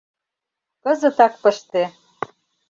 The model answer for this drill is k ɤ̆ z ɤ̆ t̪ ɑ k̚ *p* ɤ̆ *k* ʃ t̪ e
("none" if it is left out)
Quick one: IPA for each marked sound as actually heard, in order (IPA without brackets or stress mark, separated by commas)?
p, none